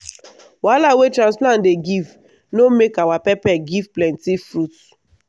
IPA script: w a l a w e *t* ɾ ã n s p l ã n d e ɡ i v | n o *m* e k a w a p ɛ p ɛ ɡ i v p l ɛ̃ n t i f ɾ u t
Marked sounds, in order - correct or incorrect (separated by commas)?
correct, correct